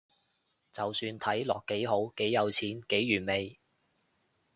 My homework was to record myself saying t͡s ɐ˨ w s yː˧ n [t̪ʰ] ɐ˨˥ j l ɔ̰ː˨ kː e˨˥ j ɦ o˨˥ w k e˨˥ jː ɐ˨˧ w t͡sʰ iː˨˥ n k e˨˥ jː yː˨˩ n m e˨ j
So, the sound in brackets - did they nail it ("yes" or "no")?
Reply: yes